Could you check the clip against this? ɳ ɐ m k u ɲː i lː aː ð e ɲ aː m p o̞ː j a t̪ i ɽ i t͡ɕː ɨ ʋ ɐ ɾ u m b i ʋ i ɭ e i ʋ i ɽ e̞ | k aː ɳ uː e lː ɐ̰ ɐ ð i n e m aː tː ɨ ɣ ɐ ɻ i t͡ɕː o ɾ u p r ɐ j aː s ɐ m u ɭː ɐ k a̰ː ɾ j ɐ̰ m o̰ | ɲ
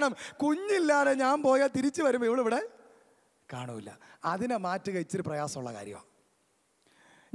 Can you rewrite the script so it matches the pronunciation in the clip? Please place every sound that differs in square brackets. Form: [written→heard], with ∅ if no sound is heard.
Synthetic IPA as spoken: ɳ ɐ m k u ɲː i lː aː ð e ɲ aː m p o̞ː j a t̪ i [ɽ→ɾ] i t͡ɕː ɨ ʋ ɐ ɾ u m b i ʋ i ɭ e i ʋ i ɽ e̞ | k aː ɳ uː [e→i] lː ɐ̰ ɐ ð i n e m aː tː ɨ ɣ ɐ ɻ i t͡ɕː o ɾ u p r ɐ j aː s ɐ m u ɭː ɐ k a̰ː ɾ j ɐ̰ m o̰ | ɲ